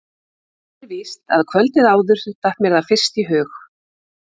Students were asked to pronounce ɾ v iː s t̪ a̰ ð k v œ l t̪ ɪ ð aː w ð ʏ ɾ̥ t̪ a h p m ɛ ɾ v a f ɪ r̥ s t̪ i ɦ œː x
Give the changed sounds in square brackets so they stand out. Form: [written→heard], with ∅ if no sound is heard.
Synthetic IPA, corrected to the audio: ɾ v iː s t̪ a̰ ð [k→kʰ] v œ l t̪ ɪ ð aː w ð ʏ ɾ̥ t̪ a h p m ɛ ɾ [v→ð] a f ɪ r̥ s t̪ i ɦ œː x